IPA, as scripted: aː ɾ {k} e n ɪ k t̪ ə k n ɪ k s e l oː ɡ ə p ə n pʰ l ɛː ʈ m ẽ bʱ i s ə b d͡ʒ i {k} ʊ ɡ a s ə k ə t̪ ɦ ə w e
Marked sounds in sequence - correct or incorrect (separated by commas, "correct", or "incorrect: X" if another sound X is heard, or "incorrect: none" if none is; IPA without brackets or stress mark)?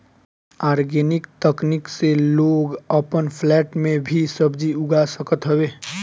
incorrect: ɡ, incorrect: none